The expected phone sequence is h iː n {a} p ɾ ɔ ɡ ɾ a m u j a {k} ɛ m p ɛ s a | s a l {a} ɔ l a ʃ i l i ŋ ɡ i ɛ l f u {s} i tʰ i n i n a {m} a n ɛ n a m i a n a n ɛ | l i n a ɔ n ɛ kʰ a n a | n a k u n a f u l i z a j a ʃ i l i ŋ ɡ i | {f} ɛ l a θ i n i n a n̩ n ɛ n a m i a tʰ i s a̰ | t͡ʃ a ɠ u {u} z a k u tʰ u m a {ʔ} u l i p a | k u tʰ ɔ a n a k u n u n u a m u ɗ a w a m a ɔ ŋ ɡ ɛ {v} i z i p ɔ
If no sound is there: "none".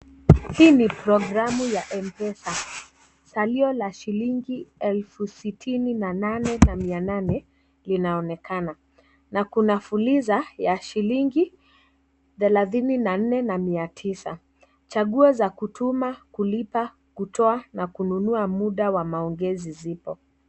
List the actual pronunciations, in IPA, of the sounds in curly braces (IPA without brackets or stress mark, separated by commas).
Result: i, ʔ, i, s, n, θ, ɔ, k, z